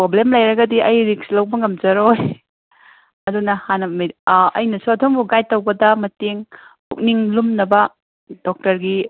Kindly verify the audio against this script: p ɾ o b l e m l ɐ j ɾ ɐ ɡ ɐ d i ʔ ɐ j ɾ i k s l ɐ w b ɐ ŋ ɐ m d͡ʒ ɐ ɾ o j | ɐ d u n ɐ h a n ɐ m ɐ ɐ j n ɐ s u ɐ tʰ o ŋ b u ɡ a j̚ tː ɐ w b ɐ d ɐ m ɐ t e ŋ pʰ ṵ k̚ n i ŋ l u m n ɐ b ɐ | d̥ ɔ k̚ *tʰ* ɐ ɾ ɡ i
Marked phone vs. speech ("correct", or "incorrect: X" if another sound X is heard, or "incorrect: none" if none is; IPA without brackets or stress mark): incorrect: t